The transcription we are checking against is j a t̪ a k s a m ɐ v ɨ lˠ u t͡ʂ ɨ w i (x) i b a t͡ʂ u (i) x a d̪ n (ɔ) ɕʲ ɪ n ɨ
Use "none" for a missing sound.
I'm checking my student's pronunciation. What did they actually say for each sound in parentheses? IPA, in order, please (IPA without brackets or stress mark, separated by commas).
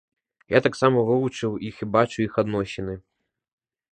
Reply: x, i, ɔ